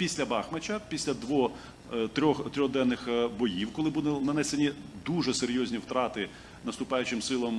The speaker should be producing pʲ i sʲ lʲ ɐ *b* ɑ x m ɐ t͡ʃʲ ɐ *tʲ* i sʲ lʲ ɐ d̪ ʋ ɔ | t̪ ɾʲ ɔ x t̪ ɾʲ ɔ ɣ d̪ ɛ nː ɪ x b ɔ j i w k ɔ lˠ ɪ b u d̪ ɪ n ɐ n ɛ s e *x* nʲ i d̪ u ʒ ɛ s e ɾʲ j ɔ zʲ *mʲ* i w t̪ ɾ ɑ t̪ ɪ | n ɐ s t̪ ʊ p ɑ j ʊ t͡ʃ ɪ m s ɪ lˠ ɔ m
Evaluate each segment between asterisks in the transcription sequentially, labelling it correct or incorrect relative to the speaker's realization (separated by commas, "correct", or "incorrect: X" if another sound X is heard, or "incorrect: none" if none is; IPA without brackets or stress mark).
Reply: correct, incorrect: pʲ, incorrect: none, incorrect: nʲ